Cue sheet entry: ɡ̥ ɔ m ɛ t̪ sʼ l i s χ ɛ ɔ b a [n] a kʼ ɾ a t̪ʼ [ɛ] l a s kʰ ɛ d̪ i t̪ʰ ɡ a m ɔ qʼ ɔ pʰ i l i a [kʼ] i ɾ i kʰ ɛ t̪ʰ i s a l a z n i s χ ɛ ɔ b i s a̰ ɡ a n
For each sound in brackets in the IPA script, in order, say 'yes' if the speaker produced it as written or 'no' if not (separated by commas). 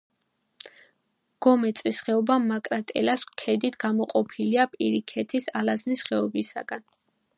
no, yes, no